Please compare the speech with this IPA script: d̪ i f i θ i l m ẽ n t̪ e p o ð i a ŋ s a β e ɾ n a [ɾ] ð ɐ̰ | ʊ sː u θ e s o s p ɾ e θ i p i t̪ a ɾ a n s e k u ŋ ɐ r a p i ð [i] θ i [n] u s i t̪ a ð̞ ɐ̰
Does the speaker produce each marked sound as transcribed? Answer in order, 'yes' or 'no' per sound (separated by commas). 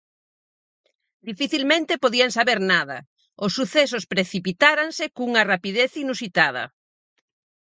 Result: no, no, yes